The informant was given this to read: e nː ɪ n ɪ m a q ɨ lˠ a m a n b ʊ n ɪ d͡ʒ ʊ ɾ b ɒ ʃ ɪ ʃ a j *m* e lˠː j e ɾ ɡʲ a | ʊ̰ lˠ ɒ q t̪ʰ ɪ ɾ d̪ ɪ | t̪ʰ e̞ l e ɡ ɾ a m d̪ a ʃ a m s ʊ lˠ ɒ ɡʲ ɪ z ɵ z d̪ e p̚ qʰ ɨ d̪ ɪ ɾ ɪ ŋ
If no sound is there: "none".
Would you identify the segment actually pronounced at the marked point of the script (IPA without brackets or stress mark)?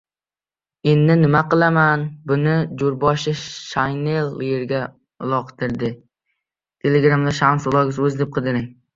n